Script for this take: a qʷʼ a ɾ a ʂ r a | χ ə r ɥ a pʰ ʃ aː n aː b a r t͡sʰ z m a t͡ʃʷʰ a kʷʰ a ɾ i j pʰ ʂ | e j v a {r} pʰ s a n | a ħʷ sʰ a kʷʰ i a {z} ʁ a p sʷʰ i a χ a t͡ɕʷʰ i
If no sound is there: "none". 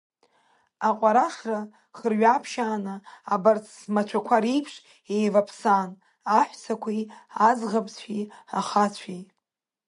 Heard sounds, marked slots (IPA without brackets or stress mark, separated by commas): none, z